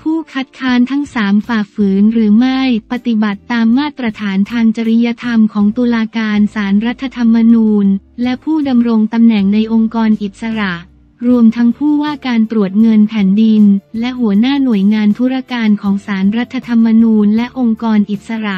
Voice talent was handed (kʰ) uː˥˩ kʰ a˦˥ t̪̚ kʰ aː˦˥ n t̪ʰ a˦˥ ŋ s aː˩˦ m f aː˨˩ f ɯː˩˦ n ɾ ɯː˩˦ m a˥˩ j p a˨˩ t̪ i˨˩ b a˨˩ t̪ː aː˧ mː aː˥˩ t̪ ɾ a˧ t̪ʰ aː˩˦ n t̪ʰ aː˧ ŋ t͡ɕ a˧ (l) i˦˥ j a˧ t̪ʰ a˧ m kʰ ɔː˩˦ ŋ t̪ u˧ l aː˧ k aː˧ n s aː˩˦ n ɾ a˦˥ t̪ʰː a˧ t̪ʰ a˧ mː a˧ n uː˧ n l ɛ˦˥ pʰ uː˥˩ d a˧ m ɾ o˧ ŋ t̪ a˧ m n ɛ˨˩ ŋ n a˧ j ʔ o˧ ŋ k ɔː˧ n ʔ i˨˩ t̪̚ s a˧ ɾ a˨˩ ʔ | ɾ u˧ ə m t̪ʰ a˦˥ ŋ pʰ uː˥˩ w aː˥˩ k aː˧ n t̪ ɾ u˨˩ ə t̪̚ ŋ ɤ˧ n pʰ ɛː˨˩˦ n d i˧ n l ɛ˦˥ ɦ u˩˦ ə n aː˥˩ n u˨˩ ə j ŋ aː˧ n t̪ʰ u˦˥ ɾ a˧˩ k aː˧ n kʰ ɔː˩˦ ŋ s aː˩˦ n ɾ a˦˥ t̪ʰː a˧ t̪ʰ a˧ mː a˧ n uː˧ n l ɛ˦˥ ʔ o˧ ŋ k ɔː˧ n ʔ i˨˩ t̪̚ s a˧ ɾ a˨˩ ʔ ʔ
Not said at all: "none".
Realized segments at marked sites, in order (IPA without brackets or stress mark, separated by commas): pʰ, ɾ